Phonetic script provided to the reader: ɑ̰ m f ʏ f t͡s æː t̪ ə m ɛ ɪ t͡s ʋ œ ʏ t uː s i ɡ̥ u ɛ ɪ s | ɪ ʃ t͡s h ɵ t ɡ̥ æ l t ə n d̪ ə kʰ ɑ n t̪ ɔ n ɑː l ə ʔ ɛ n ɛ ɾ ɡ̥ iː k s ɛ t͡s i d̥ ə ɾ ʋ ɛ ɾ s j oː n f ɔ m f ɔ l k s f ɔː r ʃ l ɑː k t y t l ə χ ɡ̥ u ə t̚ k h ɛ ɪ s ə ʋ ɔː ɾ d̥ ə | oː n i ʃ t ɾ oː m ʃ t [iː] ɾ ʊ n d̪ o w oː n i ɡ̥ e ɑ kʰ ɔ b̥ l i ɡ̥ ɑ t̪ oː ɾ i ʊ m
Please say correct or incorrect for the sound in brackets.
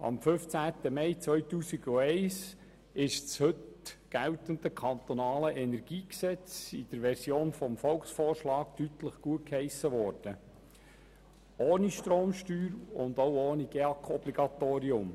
incorrect